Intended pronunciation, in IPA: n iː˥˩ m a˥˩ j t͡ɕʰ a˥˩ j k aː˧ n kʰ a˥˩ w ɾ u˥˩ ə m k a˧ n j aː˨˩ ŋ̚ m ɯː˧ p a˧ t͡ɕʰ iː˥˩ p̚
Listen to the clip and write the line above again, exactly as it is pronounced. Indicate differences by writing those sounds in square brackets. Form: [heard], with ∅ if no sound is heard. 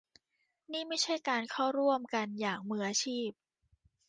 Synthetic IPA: n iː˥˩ m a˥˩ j t͡ɕʰ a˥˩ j k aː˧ n kʰ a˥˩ w ɾ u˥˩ ə m k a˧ n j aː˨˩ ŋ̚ m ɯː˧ [ʔ] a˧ t͡ɕʰ iː˥˩ p̚